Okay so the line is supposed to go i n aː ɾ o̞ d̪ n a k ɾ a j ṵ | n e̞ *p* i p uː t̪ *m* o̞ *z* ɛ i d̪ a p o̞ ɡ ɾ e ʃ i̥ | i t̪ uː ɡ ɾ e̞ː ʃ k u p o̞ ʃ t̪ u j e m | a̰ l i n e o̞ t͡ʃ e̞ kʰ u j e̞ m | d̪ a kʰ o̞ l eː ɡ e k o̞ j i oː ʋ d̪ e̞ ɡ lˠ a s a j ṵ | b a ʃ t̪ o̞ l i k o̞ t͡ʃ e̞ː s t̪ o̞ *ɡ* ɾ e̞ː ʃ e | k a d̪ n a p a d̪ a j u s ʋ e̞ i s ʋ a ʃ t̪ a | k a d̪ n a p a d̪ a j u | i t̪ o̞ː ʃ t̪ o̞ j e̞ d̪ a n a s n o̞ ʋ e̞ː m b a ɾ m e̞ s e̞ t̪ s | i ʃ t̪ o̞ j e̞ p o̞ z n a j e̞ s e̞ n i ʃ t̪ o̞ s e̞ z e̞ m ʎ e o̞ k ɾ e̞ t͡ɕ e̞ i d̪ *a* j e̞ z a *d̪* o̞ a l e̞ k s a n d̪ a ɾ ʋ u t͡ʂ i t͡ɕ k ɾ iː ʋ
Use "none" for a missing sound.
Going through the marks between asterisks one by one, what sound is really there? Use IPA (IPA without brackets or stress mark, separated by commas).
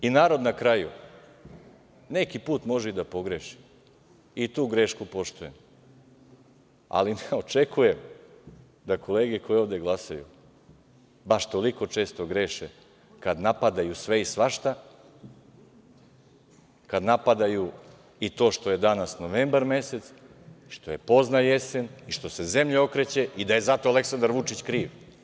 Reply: k, m, ʒ, ɡ, a, t̪